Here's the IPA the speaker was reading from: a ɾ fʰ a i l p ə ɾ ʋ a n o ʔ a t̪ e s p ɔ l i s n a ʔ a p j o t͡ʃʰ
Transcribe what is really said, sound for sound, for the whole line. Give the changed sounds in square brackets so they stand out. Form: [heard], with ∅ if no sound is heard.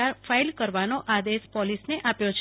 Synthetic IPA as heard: a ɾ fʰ a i l [k] ə ɾ ʋ a n o ʔ a [d̪] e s p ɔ l i s n [e] ʔ a p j o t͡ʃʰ